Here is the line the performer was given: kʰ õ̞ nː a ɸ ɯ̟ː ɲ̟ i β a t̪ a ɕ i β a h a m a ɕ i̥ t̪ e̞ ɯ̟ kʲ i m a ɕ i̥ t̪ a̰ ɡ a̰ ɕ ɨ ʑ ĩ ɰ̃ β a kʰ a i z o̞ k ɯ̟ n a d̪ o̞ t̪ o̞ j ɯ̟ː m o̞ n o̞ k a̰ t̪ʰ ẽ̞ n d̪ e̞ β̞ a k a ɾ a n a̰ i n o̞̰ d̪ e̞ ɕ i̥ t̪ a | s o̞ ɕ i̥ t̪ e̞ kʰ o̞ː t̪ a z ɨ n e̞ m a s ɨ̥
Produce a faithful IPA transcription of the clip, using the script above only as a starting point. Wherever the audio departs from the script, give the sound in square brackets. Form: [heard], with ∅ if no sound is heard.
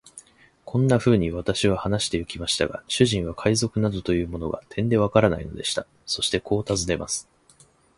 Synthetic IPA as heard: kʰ õ̞ nː a ɸ ɯ̟ː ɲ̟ i β a t̪ a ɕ i β a h a [n] a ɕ i̥ t̪ e̞ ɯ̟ kʲ i m a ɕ i̥ t̪ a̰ ɡ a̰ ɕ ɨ ʑ ĩ ɰ̃ β a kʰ a i z o̞ k ɯ̟ n a d̪ o̞ t̪ o̞ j ɯ̟ː m o̞ n o̞ [ɡ] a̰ t̪ʰ ẽ̞ n d̪ e̞ β̞ a k a ɾ a n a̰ i n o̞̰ d̪ e̞ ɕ i̥ t̪ a | s o̞ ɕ i̥ t̪ e̞ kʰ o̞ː t̪ a z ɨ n e̞ m a s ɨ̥